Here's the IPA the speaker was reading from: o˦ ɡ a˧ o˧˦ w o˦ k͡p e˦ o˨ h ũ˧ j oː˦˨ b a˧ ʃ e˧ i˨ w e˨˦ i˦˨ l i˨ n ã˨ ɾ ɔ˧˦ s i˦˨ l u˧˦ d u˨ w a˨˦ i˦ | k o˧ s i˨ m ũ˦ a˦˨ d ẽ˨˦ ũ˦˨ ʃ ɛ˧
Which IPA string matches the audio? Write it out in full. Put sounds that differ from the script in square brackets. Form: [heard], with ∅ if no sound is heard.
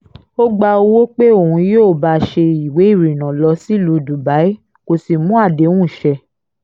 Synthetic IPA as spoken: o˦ [ɡ͡b] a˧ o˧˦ w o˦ k͡p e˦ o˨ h ũ˧ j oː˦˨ b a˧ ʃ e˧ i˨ w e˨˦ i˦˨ [ɾ] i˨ n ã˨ [l] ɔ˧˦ s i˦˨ l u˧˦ d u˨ [b] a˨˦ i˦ | k o˧ s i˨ m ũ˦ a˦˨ d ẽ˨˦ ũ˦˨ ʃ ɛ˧